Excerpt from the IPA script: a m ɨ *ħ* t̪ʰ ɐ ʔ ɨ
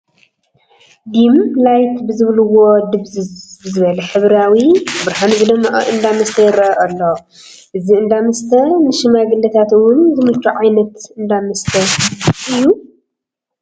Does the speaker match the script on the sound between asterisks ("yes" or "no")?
no